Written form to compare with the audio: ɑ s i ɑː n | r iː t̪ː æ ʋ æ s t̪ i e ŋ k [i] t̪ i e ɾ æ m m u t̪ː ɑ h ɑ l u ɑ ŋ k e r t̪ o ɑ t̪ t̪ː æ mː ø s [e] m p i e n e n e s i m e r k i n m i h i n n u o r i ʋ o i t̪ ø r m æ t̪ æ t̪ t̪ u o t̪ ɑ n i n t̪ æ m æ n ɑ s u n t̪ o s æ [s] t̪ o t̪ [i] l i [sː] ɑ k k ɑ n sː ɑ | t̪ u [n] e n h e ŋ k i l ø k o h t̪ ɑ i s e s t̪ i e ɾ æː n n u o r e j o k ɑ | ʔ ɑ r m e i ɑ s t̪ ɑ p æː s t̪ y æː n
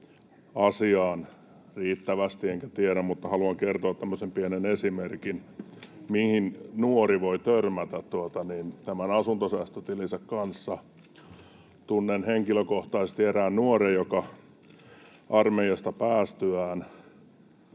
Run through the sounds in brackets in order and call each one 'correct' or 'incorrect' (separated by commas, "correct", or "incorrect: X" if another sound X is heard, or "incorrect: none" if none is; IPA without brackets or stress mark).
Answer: incorrect: æ, correct, correct, correct, incorrect: s, incorrect: nː